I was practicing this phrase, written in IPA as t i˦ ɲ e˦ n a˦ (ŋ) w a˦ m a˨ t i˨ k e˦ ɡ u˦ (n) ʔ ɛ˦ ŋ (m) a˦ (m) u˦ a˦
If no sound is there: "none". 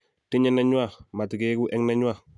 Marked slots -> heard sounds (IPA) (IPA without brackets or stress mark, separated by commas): ɲ, none, n, ɲ